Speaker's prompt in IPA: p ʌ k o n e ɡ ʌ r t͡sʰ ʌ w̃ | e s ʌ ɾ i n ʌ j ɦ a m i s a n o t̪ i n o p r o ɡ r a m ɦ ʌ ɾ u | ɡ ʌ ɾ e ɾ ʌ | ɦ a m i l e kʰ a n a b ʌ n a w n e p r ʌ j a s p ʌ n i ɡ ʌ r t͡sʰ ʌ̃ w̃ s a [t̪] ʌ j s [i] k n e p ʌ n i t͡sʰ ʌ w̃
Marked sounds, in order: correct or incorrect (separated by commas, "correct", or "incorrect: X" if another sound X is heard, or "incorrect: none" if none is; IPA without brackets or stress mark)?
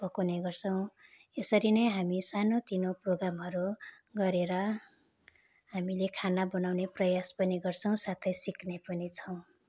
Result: incorrect: t̪ʰ, correct